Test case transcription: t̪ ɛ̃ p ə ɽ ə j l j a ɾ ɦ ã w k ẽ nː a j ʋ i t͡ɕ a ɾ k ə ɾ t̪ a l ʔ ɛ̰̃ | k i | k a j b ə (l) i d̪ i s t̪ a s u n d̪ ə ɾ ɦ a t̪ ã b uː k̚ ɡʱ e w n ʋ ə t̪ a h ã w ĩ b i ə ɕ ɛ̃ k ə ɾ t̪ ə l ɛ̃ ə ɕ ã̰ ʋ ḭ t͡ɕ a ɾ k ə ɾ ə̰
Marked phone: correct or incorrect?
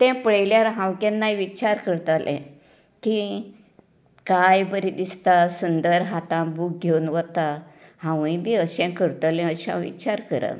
incorrect